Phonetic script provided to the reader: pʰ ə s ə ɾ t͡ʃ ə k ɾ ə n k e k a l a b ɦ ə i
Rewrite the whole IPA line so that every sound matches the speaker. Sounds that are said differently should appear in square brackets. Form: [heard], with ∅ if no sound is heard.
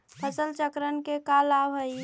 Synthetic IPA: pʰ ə s ə [l] t͡ʃ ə k ɾ ə n k e k a l a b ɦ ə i